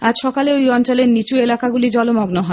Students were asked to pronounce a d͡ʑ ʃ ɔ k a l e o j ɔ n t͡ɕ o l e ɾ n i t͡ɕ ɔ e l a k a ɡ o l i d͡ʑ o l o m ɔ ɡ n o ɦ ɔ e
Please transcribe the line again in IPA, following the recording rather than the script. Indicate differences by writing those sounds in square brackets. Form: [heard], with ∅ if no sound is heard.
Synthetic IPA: a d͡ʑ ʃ ɔ k a l e o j ɔ n t͡ɕ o l e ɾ n i t͡ɕ [u] e l a k a ɡ [u] l i d͡ʑ [ɔ] l o m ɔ ɡ n o ɦ ɔ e